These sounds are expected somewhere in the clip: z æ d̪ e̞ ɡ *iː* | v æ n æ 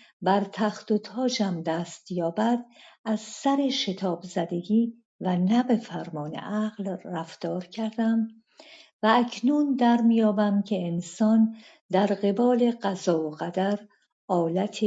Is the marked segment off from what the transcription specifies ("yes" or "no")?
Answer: no